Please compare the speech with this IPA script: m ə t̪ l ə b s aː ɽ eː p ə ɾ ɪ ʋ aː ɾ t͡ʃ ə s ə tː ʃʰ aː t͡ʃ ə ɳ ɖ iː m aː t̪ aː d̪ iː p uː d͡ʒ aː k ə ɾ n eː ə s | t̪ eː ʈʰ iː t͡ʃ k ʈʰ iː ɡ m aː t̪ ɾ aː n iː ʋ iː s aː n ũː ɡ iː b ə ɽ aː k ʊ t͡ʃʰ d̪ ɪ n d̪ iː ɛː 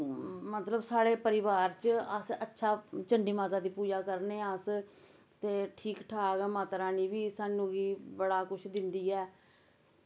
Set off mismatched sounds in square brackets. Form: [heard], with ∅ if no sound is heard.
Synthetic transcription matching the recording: m ə t̪ l ə b s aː ɽ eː p ə ɾ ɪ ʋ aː ɾ t͡ʃ ə s ə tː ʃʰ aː t͡ʃ ə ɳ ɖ iː m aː t̪ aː d̪ iː p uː d͡ʒ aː k ə ɾ n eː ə s | t̪ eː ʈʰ iː [∅] k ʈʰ [aː] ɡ m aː t̪ ɾ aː n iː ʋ iː s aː n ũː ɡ iː b ə ɽ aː k ʊ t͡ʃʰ d̪ ɪ n d̪ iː ɛː